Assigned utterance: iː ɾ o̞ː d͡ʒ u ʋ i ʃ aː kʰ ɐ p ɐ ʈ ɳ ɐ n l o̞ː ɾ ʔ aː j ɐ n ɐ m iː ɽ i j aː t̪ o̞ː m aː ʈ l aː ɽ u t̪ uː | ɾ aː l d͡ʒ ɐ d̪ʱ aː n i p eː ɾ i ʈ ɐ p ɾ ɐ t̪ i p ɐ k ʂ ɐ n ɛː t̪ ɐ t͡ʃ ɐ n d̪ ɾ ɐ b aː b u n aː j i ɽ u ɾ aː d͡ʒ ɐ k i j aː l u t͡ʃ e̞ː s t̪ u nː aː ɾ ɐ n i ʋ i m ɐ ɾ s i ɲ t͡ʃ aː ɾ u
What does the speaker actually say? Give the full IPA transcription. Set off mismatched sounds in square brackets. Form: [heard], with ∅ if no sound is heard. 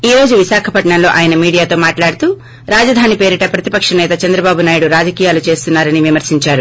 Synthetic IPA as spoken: iː ɾ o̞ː d͡ʒ u ʋ i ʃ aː kʰ ɐ p ɐ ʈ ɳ ɐ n l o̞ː [∅] ʔ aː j ɐ n ɐ m iː ɽ i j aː t̪ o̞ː m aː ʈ l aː ɽ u t̪ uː | ɾ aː [∅] d͡ʒ ɐ d̪ʱ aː n i p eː ɾ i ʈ ɐ p ɾ ɐ t̪ i p ɐ k ʂ ɐ n ɛː t̪ ɐ t͡ʃ ɐ n d̪ ɾ ɐ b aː b u n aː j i ɽ u ɾ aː d͡ʒ ɐ k i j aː l u t͡ʃ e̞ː s t̪ u nː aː ɾ ɐ n i ʋ i m ɐ ɾ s i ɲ t͡ʃ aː ɾ u